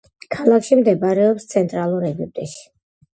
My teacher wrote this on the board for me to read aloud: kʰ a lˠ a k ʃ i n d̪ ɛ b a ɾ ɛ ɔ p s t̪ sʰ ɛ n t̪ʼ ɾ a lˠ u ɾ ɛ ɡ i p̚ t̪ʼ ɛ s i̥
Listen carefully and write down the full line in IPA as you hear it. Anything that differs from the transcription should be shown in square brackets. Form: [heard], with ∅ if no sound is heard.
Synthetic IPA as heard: kʰ a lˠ a k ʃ i [m] d̪ ɛ b a ɾ ɛ ɔ p s t̪ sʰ ɛ n t̪ʼ ɾ a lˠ u ɾ ɛ ɡ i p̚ t̪ʼ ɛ [ʃ] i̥